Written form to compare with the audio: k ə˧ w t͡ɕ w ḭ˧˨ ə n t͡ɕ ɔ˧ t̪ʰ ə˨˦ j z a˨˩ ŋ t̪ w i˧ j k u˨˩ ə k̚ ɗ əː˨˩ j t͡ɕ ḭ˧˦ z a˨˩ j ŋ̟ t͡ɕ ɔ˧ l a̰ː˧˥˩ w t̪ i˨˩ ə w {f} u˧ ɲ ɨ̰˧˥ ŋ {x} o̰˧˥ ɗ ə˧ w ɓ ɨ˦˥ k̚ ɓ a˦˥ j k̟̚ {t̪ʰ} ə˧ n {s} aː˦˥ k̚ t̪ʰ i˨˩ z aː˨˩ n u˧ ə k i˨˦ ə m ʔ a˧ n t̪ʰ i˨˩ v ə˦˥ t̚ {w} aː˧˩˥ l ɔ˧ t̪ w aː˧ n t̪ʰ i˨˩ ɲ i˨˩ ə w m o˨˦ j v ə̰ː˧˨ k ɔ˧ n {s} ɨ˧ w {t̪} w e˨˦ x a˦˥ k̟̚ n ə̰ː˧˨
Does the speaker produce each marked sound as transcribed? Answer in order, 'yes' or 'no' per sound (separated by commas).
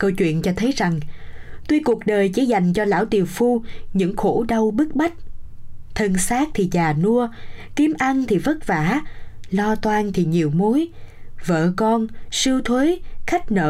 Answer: yes, yes, yes, yes, no, yes, no